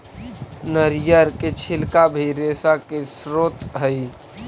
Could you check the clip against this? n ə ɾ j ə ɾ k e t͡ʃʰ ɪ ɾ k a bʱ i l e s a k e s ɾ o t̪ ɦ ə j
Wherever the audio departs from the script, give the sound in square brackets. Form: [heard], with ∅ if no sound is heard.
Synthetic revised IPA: n ə ɾ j ə ɾ k e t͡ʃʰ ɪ [l] k a bʱ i [ɾ] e s a k e s ɾ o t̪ ɦ ə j